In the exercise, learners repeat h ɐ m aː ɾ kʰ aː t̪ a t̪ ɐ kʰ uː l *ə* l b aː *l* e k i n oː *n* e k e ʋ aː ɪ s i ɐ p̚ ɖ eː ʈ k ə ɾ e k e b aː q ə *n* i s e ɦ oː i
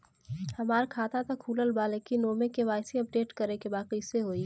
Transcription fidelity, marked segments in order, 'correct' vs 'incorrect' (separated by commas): correct, correct, incorrect, incorrect